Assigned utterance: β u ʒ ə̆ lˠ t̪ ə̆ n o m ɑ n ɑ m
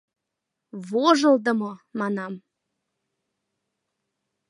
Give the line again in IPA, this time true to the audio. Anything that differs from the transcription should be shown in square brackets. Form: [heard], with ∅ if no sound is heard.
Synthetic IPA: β [o] ʒ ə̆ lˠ [d̪] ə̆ [m] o m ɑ n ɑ m